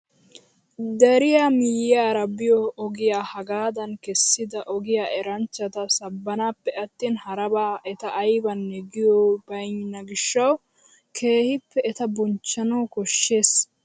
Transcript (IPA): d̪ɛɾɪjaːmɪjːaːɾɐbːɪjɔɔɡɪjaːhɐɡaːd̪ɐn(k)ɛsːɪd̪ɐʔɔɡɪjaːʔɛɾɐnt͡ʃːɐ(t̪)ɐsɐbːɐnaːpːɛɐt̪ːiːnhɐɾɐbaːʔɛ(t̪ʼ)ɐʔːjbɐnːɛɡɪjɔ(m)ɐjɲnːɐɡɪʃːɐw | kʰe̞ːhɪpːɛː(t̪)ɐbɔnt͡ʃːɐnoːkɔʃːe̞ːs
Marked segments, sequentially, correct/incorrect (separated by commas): correct, correct, incorrect, incorrect, correct